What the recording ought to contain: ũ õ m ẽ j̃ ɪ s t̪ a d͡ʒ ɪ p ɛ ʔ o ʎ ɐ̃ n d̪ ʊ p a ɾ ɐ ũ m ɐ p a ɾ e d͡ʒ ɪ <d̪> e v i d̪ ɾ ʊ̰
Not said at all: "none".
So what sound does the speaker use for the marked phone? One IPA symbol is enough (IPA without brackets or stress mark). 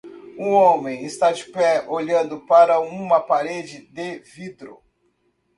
d̪